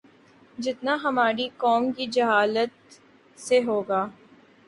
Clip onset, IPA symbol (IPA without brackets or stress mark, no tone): d͡ʒ